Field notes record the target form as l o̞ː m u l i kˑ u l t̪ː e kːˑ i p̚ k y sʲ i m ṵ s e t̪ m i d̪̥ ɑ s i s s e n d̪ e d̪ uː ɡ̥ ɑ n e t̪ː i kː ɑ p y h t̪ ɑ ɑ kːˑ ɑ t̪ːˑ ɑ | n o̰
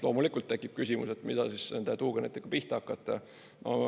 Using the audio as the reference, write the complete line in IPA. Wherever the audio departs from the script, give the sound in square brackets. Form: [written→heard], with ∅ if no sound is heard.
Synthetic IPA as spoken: l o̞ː m u l i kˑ u l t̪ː e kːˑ i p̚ k y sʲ i m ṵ s e t̪ m i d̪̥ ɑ s i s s e n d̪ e [d̪→t̪] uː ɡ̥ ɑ n e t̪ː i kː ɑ p [y→i] h t̪ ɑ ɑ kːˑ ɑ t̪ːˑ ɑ | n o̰